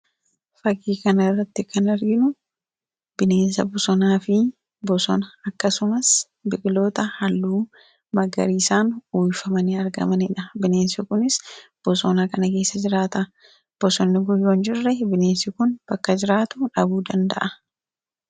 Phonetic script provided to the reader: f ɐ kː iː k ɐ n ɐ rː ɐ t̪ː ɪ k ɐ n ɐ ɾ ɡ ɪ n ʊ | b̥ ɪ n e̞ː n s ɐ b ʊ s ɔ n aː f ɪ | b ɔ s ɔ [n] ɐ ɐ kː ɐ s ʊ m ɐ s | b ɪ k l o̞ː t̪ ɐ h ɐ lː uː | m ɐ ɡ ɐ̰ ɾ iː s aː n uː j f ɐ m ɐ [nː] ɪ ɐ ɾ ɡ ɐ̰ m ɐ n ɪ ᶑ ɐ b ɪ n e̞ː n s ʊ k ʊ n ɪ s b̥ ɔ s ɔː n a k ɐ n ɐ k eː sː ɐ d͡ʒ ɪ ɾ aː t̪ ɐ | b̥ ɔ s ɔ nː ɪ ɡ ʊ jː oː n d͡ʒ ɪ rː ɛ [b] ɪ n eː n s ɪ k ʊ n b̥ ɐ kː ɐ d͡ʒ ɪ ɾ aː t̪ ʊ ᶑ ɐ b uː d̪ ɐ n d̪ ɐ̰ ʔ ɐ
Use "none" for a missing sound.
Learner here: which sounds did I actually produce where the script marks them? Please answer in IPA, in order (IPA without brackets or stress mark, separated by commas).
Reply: n, n, b